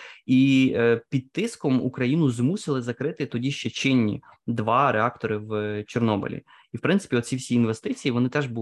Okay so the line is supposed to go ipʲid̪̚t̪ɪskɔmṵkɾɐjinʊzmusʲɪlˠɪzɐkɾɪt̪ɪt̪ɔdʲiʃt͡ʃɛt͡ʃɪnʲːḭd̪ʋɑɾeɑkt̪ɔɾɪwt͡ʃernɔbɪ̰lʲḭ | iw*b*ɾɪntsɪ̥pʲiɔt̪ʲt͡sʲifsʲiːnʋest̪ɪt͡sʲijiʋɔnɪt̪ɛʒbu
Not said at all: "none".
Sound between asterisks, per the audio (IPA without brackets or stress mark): p